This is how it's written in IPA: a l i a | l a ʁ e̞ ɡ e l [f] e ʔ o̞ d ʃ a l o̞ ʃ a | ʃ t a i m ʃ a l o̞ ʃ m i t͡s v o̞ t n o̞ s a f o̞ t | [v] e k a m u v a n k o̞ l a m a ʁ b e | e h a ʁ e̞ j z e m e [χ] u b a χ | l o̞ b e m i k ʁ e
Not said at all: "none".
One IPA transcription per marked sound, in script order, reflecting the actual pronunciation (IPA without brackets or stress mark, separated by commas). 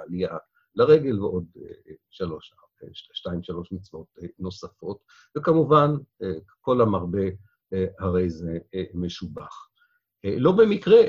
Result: v, v, ʃ